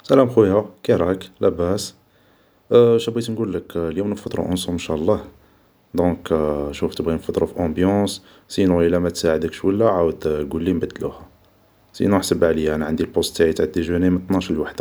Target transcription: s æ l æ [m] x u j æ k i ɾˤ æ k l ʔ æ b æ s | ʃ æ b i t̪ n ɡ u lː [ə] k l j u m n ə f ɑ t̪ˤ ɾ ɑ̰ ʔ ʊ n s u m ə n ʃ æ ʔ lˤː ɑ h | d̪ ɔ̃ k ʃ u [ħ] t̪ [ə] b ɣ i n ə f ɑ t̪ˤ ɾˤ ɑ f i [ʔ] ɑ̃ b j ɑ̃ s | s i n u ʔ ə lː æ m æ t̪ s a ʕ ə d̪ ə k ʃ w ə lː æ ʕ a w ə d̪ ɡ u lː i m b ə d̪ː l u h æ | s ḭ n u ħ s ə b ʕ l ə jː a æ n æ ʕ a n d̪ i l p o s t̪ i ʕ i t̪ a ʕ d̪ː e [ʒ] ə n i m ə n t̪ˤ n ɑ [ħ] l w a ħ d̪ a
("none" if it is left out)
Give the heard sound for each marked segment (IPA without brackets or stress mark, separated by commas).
m, ə, f, ə, ʔ, ʒ, ʃ